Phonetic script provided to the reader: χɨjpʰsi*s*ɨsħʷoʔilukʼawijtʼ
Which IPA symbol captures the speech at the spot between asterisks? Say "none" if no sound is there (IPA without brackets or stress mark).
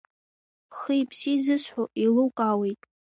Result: z